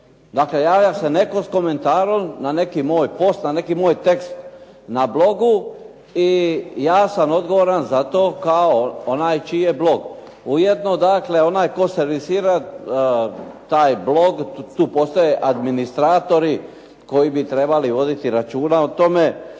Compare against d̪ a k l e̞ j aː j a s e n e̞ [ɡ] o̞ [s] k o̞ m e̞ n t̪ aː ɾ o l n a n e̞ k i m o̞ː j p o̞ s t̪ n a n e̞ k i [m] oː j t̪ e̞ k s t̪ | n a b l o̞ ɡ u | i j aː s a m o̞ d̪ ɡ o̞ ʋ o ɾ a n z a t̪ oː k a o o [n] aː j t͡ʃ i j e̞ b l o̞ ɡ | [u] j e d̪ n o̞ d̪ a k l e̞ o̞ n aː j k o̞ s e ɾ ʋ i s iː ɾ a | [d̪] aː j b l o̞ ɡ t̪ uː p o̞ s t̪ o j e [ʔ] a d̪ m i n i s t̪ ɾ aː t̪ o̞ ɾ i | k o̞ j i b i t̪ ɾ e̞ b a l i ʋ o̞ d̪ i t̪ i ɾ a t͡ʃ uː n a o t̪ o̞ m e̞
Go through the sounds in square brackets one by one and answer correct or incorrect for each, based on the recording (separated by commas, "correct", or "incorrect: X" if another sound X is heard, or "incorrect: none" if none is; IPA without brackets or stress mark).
incorrect: k, correct, correct, correct, correct, incorrect: t̪, correct